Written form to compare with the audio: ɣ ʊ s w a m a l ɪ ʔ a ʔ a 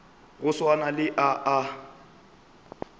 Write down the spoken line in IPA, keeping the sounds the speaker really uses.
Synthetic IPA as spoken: ɣ ʊ s w a n a l ɪ ʔ a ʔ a